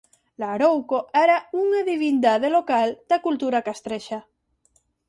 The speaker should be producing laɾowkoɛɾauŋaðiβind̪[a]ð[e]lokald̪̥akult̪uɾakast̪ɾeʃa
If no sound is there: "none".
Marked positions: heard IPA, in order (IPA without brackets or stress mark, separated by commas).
a, e